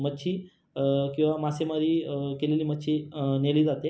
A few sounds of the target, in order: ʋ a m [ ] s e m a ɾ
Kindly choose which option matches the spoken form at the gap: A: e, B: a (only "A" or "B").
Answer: B